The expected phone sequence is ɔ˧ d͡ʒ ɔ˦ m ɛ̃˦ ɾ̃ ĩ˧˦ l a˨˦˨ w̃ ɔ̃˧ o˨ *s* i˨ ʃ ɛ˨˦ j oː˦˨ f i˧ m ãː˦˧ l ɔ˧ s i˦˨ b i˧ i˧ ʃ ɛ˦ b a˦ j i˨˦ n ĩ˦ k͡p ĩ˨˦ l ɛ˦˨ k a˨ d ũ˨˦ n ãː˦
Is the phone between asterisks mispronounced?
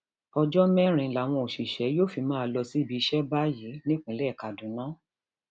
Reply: yes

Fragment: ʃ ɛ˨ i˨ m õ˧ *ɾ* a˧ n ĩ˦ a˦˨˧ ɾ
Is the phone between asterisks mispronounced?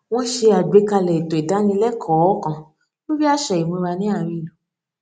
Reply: no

